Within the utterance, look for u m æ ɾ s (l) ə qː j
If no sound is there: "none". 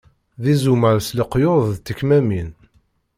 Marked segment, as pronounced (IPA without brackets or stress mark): l